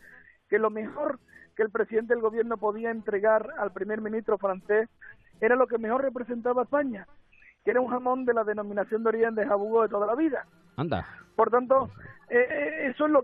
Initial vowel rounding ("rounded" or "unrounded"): unrounded